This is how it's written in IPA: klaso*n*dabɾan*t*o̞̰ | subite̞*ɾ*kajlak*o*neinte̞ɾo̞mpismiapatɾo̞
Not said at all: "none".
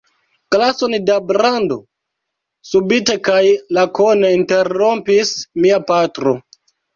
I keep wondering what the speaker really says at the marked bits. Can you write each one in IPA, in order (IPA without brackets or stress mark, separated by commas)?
n, d, none, o